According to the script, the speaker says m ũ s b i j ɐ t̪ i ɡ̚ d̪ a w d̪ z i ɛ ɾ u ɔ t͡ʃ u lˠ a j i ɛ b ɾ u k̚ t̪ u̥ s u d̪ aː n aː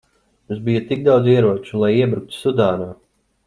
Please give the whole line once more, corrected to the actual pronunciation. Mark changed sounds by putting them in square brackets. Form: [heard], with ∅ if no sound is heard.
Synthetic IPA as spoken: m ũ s b i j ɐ t̪ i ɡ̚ d̪ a w d̪ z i ɛ ɾ u ɔ t͡ʃ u lˠ a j i ɛ b ɾ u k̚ t̪ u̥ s u d̪ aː n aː